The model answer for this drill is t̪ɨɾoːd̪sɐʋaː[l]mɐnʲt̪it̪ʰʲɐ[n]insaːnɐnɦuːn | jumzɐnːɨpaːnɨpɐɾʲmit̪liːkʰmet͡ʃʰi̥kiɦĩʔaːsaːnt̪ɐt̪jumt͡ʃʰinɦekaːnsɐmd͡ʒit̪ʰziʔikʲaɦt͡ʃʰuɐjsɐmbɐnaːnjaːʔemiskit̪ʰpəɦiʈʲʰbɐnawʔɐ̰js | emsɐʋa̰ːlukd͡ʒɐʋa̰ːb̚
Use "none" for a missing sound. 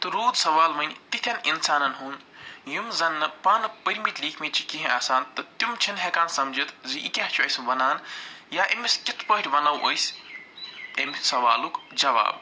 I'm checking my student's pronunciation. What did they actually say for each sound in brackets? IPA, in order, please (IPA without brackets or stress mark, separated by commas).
l, n